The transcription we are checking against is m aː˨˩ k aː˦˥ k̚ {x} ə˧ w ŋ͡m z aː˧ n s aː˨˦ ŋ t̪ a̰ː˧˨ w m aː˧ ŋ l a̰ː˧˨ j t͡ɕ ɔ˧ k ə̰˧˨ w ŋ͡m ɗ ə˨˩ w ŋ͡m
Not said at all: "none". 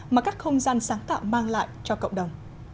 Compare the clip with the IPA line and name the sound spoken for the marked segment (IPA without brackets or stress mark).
x